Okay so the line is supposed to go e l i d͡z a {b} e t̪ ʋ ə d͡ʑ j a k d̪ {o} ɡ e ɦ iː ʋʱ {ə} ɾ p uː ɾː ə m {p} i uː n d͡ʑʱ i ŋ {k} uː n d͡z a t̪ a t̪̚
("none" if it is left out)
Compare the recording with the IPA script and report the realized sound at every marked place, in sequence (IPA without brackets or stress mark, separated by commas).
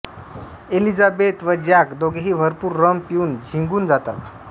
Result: b, o, ə, p, ɡ